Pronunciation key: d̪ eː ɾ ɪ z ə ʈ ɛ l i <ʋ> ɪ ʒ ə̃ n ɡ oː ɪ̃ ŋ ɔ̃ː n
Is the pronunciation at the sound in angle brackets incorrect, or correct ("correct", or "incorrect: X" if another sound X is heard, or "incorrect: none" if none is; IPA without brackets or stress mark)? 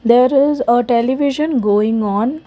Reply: correct